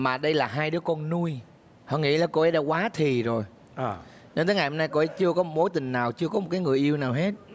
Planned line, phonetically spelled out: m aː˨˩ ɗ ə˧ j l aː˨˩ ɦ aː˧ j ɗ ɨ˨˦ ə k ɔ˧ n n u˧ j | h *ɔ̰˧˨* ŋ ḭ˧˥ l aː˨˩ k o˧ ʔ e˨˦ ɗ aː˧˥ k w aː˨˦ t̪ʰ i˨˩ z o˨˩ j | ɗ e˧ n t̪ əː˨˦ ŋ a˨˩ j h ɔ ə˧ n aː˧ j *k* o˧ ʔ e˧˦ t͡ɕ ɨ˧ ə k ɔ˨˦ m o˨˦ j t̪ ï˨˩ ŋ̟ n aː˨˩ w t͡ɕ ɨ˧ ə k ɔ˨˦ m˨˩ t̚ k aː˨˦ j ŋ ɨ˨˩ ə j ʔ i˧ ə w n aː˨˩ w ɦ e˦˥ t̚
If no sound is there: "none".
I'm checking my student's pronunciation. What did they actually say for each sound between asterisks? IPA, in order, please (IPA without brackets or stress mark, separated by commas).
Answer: ɔ̰˧˨, k